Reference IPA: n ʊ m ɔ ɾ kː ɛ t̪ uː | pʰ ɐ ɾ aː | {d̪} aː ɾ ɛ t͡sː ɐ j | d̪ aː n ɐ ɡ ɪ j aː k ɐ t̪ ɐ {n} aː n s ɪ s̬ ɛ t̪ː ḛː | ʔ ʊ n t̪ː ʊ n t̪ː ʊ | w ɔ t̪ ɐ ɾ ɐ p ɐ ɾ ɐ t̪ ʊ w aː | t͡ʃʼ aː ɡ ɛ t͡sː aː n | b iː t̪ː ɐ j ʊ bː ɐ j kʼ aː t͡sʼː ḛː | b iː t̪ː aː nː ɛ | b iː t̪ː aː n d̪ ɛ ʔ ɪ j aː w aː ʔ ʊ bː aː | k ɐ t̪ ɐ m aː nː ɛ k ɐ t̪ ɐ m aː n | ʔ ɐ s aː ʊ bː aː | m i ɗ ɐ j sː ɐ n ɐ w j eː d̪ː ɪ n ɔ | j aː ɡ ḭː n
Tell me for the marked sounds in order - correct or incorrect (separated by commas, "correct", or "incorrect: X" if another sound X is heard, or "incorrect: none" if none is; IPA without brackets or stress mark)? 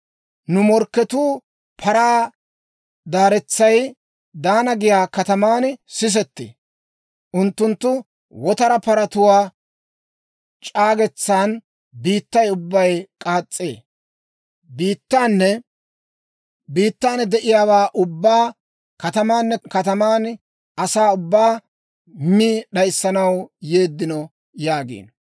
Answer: correct, incorrect: m